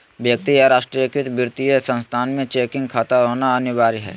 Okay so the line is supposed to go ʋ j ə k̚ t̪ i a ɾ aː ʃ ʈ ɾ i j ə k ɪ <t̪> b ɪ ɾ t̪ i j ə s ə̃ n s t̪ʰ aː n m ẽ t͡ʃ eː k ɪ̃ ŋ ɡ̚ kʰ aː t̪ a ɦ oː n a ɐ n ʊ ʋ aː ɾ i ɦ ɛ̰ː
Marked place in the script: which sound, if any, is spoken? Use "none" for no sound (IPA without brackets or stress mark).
t̪